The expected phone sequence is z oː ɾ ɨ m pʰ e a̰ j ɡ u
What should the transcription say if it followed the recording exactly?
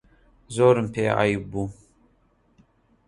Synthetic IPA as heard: z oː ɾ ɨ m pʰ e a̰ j b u